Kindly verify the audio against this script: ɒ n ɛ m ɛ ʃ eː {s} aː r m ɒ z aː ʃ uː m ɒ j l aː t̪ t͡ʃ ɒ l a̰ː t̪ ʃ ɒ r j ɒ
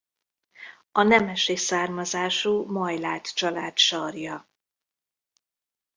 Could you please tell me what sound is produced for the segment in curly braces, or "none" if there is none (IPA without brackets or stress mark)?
s